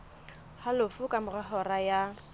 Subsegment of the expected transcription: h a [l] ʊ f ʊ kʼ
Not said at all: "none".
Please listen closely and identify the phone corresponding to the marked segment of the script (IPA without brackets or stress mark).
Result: l